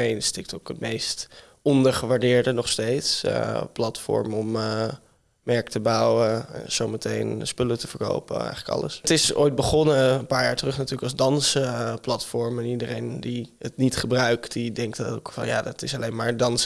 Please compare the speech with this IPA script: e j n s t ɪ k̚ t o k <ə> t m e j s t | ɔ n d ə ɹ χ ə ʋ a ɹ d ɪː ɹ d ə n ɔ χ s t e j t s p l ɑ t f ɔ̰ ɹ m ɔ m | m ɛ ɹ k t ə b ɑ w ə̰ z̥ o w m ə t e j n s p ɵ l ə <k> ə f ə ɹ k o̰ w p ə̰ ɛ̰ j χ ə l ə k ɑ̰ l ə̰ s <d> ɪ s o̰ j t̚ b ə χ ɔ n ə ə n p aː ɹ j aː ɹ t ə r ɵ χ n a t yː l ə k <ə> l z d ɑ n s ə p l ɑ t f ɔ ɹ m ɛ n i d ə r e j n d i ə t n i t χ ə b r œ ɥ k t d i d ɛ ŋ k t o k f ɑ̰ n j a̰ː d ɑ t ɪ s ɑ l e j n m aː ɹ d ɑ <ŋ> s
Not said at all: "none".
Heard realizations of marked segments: ə, t, t, ɑ, n

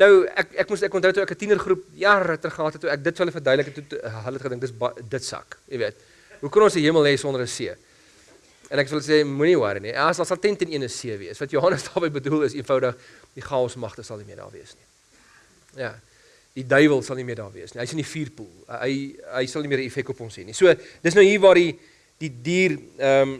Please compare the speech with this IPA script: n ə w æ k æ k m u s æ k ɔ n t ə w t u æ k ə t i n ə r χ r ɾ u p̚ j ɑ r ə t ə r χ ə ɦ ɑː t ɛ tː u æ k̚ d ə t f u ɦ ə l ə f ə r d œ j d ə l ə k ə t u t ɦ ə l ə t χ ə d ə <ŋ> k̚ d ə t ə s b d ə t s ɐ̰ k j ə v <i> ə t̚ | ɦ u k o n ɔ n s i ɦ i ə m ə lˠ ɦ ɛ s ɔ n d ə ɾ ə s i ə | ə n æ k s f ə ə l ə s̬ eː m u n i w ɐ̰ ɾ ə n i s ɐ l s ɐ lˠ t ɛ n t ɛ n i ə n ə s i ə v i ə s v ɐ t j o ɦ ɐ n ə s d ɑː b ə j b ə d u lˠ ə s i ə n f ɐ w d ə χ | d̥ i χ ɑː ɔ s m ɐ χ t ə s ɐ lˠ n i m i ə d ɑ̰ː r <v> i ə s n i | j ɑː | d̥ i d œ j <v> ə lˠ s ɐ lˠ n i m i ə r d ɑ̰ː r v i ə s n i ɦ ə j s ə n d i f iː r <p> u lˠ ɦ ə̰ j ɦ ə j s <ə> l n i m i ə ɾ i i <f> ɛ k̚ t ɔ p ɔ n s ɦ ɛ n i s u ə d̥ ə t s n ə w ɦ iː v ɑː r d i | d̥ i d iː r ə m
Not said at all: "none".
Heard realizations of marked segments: ŋ, i, v, v, p, ɐ, f

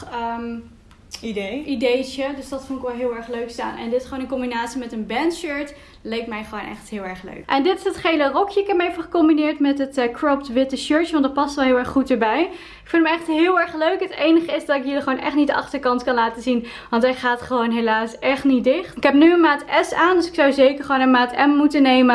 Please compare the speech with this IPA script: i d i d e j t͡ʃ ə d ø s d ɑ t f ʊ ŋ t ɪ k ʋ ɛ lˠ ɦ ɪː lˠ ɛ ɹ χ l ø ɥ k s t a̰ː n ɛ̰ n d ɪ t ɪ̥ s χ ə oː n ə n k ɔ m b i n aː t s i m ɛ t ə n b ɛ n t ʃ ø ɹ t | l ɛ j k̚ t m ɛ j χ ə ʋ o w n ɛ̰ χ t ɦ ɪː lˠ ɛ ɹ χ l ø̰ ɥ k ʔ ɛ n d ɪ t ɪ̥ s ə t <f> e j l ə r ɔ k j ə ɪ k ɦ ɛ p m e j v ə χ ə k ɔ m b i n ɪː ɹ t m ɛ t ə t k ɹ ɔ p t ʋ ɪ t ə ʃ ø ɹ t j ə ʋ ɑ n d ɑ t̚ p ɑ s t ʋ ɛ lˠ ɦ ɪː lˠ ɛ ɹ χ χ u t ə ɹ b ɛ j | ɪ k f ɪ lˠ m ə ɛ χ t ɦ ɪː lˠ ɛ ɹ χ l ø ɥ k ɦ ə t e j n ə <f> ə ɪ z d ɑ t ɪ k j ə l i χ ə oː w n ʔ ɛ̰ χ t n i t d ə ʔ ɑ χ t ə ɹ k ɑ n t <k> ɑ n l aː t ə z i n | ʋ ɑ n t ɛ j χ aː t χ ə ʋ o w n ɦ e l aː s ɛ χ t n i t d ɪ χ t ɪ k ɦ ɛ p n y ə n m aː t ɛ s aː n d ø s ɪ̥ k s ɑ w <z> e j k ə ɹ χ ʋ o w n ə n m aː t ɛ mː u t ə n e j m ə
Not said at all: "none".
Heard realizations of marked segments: χ, χ, k, z

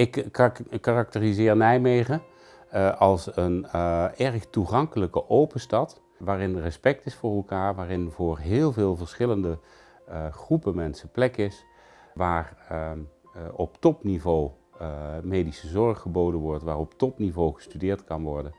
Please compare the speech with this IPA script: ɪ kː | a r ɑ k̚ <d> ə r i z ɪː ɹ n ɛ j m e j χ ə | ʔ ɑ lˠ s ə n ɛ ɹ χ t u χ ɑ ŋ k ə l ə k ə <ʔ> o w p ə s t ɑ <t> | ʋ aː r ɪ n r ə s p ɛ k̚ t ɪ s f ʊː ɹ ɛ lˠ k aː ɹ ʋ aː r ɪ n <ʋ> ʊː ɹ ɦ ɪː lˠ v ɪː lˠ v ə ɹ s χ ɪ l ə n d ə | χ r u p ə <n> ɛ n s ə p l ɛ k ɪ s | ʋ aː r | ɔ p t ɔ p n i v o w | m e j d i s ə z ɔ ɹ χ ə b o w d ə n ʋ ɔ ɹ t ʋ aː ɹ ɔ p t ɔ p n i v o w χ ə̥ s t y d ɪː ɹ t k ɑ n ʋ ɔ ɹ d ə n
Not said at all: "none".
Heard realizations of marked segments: t, ʔ, t, v, m

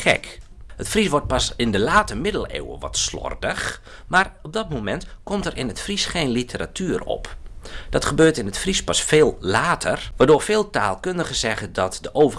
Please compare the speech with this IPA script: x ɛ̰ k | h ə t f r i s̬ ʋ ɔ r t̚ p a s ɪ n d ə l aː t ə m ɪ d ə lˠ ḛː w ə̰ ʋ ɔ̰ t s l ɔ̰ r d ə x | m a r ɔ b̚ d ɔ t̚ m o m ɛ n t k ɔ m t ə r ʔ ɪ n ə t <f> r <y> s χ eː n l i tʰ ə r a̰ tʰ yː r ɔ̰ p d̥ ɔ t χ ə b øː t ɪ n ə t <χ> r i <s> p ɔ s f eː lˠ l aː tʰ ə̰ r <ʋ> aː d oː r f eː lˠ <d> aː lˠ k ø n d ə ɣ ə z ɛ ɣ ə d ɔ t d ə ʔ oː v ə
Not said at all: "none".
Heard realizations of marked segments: f, i, f, s, ʋ, t

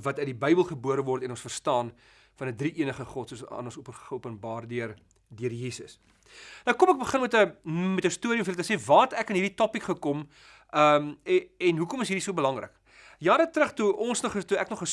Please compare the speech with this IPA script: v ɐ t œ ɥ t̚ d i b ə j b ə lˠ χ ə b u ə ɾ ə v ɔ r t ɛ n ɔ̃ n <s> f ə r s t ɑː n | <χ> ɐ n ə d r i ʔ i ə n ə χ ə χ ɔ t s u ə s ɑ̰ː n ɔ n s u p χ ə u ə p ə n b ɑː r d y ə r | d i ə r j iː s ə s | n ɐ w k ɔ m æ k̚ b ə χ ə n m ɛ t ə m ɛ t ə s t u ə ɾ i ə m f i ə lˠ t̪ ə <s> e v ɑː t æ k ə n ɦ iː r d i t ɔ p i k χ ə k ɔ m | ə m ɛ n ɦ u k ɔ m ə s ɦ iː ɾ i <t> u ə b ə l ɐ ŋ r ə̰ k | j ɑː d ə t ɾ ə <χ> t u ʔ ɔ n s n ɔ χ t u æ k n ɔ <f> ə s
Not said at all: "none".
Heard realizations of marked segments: s, f, s, s, χ, χ

